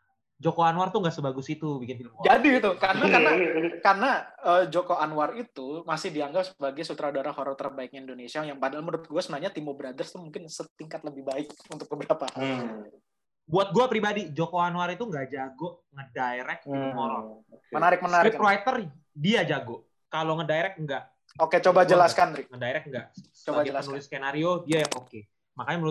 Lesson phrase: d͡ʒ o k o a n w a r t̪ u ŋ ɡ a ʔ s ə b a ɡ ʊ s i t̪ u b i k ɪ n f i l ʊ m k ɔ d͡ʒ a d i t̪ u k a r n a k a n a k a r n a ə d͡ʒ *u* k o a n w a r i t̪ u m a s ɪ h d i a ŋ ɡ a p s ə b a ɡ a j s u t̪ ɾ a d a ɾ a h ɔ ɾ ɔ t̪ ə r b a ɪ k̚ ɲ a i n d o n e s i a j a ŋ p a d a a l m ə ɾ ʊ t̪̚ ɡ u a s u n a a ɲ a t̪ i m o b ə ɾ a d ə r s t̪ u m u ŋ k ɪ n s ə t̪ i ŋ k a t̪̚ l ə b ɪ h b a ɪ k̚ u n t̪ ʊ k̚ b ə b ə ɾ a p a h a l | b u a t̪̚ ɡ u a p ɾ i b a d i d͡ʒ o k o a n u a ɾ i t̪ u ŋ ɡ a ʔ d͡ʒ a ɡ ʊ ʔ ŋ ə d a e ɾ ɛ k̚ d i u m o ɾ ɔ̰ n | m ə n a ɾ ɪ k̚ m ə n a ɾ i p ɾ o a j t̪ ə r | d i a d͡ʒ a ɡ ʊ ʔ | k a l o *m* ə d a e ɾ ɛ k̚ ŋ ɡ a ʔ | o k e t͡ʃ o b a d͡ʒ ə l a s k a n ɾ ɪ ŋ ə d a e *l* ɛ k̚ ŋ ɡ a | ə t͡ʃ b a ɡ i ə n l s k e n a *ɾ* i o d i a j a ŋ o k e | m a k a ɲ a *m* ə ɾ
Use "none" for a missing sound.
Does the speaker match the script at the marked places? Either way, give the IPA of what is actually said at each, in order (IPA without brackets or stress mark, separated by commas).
o, ŋ, ɾ, ɾ, m